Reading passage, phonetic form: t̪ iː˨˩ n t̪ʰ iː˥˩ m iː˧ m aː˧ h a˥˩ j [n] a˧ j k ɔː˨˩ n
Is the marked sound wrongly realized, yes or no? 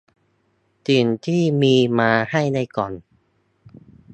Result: no